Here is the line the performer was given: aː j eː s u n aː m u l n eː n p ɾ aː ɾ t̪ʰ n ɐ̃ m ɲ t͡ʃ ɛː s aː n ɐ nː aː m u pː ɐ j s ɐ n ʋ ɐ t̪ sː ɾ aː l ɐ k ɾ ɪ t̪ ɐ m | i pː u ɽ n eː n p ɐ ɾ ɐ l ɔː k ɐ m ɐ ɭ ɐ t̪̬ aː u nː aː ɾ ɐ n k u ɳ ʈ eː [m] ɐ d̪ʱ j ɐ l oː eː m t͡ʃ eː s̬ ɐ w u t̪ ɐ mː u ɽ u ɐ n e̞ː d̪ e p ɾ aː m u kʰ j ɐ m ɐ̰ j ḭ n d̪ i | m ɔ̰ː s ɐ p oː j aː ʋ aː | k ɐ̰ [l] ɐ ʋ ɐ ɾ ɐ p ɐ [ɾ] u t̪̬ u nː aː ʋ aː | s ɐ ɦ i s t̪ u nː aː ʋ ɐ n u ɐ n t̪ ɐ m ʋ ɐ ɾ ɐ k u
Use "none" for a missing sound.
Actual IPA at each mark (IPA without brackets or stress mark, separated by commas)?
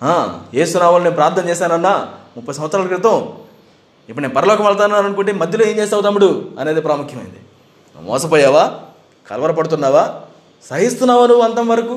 m, l, ɽ